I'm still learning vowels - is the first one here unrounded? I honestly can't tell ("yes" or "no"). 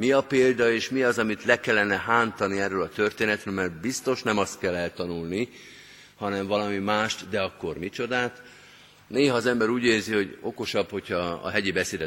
yes